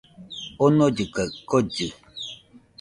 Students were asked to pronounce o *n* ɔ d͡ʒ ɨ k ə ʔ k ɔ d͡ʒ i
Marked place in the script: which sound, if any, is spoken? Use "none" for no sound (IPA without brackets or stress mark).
n